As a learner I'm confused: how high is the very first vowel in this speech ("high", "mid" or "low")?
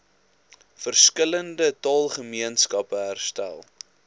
mid